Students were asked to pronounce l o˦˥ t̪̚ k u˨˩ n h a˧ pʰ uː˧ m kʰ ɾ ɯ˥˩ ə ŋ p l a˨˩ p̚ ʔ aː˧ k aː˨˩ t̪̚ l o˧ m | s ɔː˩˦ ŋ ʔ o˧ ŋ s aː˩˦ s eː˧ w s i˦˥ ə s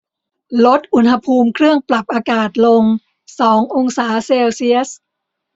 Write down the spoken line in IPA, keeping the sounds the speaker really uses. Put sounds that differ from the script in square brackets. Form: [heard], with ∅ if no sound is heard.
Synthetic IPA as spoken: l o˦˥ t̪̚ [ʔ] u˨˩ n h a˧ pʰ uː˧ m kʰ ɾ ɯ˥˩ ə ŋ p l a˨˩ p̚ ʔ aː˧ k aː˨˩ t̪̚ l o˧ [ŋ] | s ɔː˩˦ ŋ ʔ o˧ ŋ s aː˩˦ s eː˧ w s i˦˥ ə s